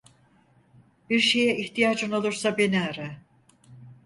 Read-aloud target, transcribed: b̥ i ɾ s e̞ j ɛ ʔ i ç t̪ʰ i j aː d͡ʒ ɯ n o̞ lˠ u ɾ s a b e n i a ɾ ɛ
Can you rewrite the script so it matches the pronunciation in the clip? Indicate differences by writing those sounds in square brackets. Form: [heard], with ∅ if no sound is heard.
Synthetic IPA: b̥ i ɾ [ʃ] e̞ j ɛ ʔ i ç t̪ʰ i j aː d͡ʒ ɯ n o̞ lˠ u ɾ s a b e n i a ɾ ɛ